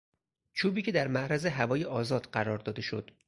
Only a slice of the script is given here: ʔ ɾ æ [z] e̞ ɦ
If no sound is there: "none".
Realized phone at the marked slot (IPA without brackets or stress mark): z